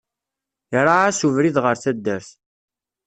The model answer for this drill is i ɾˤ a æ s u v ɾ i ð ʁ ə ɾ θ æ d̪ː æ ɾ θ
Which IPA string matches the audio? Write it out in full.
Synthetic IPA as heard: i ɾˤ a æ s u v ɾ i ð ʁ ə ɾ θ æ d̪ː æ ɾ θ